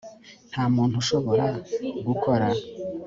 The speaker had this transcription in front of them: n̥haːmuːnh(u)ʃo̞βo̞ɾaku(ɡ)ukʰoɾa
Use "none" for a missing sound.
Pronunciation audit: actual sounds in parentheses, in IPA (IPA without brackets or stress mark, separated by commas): u, ɡ